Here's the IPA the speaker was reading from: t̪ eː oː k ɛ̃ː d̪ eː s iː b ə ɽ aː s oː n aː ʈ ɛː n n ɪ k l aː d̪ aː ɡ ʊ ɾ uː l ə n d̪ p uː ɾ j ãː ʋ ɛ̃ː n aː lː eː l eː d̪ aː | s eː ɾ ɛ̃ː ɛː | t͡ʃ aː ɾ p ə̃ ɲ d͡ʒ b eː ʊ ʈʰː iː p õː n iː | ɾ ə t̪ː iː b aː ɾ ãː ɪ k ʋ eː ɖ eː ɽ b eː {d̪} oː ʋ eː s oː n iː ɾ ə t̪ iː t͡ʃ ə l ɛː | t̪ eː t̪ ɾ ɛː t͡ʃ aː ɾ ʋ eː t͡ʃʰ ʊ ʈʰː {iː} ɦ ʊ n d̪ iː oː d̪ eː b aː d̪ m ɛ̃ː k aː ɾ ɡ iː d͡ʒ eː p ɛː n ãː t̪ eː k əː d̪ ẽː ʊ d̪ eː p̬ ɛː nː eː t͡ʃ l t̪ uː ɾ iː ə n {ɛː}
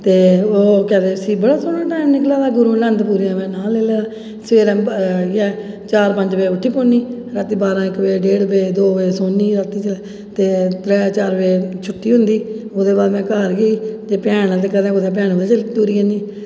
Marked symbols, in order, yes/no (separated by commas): yes, yes, no